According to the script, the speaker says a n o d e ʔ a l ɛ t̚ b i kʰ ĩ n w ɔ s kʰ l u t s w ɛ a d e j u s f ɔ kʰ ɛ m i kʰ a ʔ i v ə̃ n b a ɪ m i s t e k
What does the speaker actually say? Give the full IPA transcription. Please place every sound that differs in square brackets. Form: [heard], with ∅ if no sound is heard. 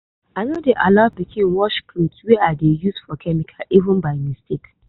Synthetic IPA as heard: a n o d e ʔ a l [a] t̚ b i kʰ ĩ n w ɔ [ʃ] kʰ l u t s w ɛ a d e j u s f ɔ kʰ ɛ m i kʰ a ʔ i v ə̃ n b a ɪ m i s t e k

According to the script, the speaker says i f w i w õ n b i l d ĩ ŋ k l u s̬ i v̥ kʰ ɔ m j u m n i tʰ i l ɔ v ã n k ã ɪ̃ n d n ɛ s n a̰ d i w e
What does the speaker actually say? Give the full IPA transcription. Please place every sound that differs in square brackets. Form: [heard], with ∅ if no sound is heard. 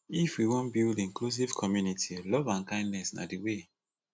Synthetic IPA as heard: i f w i w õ n b i l d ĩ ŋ k l u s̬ i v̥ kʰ ɔ m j u [∅] n i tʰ i l ɔ v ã n k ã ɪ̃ n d n ɛ s n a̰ d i w e

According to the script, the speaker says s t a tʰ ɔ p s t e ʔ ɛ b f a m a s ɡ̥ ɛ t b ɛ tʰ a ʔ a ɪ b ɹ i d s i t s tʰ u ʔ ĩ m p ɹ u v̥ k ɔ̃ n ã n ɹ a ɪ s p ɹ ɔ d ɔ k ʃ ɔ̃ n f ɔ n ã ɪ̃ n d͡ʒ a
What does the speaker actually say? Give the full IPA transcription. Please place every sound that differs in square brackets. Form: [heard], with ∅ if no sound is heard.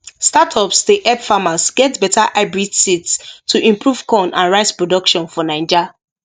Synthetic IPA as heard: s t a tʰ ɔ p s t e ʔ ɛ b f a m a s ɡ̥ ɛ t b ɛ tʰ a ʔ a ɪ b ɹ i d s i t s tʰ u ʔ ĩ m p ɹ u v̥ k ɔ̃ n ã n ɹ a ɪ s p ɹ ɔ d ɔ k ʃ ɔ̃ n f ɔ n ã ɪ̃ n d͡ʒ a

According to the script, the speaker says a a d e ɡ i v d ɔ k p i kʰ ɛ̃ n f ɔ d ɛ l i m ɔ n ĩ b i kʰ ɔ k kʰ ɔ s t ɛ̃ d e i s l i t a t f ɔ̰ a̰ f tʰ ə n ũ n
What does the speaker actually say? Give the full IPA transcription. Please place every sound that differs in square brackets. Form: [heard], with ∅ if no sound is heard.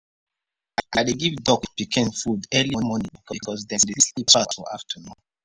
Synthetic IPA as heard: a a d e ɡ i v d ɔ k p i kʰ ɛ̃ n f [u] d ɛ l i m ɔ n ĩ b i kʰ ɔ k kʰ ɔ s [d] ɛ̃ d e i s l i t a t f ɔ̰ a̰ f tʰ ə n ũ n

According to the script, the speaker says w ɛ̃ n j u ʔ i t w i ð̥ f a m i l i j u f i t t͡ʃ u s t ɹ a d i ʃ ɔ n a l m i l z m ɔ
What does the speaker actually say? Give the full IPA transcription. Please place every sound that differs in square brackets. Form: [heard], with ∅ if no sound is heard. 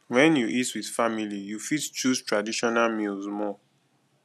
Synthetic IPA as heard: w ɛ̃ n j u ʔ i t w i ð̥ f a m i l i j u f i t t͡ʃ u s t ɹ a d i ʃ ɔ n a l m i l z m ɔ

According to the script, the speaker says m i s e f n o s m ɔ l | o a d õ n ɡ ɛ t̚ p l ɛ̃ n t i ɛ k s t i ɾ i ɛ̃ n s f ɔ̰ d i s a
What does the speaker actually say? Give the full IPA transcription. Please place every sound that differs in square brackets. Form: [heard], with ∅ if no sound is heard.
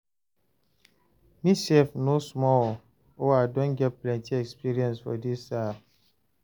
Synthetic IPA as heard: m i s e f n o s m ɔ l | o a d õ n ɡ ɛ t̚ p l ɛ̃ n t i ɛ k s [p] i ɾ i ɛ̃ n s f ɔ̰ d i s a

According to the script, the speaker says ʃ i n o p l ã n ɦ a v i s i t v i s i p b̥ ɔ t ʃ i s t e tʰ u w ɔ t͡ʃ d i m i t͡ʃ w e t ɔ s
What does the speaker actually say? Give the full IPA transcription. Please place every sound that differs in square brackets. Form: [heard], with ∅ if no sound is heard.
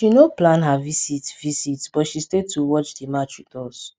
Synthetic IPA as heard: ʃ i n o p l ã n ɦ a v i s i t v i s i [t] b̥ ɔ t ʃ i s t e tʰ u w ɔ t͡ʃ d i m [a] t͡ʃ w [i] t ɔ s

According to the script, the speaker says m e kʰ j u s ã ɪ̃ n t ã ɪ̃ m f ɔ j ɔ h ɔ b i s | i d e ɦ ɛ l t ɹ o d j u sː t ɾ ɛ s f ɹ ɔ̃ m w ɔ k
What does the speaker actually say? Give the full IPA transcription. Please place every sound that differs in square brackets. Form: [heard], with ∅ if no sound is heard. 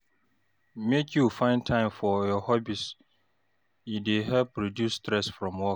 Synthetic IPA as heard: m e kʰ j u [f] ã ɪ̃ n [tʰ] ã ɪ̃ m f ɔ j ɔ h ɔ b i s | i d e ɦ ɛ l [p] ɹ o d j u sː t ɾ ɛ s f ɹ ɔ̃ m w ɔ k

